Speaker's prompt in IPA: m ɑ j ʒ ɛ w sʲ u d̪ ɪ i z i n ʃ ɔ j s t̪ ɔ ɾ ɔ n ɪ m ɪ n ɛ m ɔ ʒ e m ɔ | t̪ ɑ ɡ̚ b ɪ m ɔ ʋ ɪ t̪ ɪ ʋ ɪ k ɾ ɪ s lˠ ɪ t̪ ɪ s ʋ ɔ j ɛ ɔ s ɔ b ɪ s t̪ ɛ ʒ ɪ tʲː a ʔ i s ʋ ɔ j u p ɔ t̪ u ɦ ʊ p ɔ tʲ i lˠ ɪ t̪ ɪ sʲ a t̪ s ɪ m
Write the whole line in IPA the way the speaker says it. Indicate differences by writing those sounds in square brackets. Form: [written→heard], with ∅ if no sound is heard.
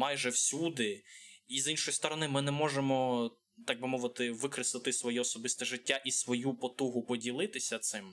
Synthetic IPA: m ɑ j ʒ ɛ w sʲ u d̪ ɪ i z i n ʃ ɔ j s t̪ ɔ ɾ ɔ n ɪ m ɪ n ɛ m ɔ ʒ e m ɔ | t̪ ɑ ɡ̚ b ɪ m ɔ ʋ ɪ t̪ ɪ ʋ ɪ k ɾ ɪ s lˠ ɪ t̪ ɪ s ʋ ɔ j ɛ ɔ s ɔ b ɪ s t̪ ɛ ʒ ɪ tʲː a ʔ i s ʋ ɔ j u p ɔ t̪ u ɦ ʊ p ɔ [tʲ→dʲ] i lˠ ɪ t̪ ɪ sʲ [a→ɐ] t̪ s ɪ m